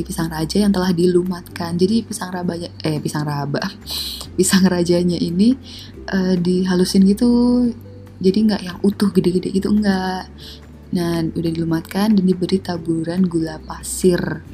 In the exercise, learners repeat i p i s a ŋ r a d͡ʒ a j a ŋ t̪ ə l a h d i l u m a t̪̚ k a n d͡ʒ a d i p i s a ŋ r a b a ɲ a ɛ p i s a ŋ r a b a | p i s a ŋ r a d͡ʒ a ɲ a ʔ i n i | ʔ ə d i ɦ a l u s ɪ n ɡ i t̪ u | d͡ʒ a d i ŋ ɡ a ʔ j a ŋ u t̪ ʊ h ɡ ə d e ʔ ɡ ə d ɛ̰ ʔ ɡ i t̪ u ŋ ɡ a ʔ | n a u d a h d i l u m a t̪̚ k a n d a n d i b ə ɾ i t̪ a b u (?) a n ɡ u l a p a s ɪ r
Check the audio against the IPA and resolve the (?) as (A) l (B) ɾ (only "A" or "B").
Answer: B